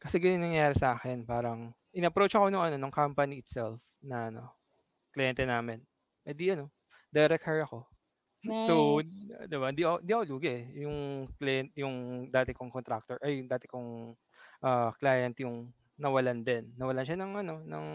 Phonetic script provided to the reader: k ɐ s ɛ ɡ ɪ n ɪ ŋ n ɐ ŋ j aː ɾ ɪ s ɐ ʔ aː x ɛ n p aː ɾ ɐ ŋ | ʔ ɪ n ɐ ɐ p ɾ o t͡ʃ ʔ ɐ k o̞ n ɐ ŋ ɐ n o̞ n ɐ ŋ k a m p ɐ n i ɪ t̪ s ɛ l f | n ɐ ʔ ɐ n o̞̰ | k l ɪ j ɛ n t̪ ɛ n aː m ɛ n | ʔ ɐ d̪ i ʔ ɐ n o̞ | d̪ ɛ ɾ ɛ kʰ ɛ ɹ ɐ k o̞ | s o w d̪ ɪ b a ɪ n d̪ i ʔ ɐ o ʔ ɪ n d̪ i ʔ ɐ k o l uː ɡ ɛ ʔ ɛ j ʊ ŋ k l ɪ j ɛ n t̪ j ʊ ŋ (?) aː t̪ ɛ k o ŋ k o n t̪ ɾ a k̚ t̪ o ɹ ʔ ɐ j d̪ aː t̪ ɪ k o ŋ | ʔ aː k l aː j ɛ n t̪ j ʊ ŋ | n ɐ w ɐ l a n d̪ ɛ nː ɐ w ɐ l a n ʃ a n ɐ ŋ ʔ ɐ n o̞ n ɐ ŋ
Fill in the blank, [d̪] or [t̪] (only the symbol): d̪